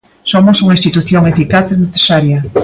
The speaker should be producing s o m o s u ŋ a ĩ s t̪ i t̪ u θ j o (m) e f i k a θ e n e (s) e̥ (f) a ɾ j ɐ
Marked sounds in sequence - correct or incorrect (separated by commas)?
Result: incorrect, incorrect, incorrect